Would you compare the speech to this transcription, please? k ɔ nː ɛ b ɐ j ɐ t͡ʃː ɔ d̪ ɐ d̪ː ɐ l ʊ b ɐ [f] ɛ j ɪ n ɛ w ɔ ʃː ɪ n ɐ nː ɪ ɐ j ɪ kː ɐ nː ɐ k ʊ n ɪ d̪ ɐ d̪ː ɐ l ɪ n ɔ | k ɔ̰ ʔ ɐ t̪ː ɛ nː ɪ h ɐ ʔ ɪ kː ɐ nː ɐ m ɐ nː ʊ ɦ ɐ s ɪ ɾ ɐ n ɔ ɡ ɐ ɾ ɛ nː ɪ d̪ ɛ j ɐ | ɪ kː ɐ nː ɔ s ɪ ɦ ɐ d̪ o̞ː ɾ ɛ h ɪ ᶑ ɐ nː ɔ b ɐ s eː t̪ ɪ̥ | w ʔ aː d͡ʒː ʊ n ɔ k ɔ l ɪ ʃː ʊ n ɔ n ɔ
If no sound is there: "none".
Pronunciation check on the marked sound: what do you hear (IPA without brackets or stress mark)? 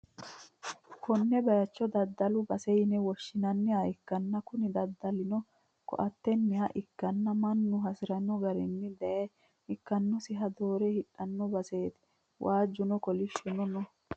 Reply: s